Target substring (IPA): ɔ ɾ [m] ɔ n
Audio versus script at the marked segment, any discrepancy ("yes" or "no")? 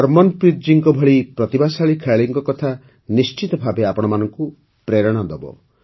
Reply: no